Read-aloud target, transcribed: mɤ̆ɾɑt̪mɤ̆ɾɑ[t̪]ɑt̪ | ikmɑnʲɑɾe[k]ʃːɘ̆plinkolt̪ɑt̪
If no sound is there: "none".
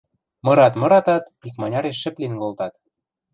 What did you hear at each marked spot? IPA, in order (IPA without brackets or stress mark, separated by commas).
t̪, none